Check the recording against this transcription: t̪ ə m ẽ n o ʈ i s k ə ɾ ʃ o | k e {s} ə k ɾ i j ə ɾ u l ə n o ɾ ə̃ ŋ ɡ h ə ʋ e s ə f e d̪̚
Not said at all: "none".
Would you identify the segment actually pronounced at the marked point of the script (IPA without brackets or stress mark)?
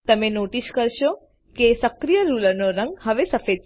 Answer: s